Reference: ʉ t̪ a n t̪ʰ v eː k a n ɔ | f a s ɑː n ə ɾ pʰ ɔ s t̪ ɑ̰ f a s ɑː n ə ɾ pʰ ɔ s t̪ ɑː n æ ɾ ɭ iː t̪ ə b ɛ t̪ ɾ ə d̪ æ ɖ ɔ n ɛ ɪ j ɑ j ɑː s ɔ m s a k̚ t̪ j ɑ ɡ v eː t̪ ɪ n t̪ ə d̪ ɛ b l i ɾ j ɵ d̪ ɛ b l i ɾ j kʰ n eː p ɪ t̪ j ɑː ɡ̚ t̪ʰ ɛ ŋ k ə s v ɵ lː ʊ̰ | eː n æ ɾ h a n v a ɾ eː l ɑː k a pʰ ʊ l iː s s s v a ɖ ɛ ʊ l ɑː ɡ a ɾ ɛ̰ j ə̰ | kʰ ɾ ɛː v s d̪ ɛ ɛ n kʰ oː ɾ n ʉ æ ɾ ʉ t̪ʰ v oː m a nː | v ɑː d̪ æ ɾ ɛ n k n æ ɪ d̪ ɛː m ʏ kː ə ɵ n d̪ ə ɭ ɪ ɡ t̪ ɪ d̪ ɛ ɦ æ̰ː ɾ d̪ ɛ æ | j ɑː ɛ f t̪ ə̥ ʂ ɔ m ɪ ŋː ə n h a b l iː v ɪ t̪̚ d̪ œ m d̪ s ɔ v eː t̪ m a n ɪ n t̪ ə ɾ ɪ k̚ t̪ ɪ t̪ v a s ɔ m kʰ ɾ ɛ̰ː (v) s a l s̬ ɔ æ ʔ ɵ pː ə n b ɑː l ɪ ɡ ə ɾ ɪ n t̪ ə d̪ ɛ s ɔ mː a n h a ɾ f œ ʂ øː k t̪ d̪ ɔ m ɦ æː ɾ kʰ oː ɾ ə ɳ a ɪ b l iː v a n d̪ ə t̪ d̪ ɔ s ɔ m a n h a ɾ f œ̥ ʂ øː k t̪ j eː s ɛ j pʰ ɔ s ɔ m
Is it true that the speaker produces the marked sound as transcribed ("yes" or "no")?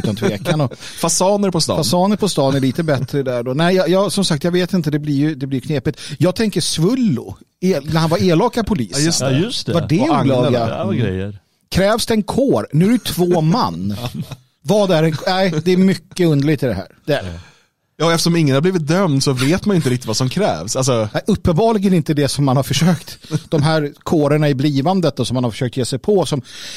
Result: yes